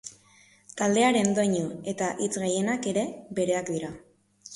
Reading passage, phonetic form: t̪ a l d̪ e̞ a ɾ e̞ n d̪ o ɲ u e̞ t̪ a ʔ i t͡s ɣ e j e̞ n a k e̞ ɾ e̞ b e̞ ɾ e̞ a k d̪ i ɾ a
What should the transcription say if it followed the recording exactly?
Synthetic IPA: t̪ a l d̪ e̞ a ɾ e̞ n d̪ o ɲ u e̞ t̪ a ʔ i t͡s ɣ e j e̞ n a k e̞ ɾ e̞ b e̞ ɾ e̞ a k d̪ i ɾ a